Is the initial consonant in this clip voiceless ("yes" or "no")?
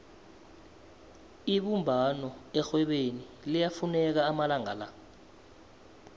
no